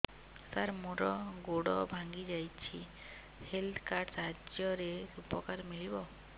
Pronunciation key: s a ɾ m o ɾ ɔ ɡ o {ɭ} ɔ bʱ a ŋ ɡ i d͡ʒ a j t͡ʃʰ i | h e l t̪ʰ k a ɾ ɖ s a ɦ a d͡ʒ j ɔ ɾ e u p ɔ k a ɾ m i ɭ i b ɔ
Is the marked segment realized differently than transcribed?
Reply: yes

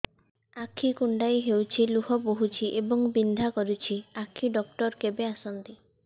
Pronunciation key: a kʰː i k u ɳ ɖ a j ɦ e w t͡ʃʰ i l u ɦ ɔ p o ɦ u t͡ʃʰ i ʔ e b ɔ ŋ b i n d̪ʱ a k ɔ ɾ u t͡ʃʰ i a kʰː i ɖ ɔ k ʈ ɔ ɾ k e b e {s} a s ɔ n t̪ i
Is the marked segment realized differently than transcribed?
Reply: yes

